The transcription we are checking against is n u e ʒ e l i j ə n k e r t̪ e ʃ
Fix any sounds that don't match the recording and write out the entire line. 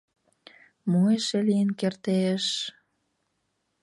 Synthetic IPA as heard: m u e ʃ e l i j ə n k e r t̪ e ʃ

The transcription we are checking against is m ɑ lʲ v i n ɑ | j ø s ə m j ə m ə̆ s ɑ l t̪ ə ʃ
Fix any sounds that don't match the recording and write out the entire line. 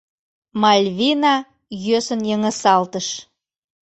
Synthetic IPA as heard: m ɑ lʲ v i n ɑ | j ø s ə n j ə ŋ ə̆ s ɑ l t̪ ə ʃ

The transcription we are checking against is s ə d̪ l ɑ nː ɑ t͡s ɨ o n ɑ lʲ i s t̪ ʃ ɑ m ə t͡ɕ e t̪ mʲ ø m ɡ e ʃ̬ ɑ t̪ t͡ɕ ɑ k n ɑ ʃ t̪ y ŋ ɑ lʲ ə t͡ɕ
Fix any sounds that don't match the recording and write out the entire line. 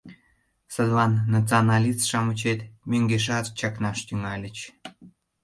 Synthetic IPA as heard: s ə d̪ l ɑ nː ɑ t͡s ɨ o n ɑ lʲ i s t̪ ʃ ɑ m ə t͡ɕ e t̪ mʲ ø ŋ ɡ e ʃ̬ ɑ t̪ t͡ɕ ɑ k n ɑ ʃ t̪ y ŋ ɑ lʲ ə t͡ɕ

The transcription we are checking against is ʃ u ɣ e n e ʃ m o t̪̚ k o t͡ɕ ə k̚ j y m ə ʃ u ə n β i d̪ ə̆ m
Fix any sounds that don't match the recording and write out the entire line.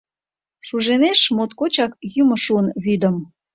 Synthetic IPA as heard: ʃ u ʒ e n e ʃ m o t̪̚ k o t͡ɕ ɑ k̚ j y m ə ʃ u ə n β y d̪ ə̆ m

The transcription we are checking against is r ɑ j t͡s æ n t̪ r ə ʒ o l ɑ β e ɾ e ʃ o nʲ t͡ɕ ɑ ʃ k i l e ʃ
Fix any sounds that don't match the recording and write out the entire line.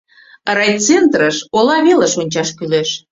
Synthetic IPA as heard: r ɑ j t͡s e n t̪ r ə ʃ o l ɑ β e l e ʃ o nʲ t͡ɕ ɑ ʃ k y l e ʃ

